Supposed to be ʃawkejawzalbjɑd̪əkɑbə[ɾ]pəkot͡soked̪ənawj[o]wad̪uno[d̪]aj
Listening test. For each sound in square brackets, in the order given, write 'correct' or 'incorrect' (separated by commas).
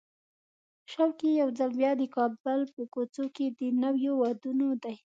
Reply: incorrect, correct, correct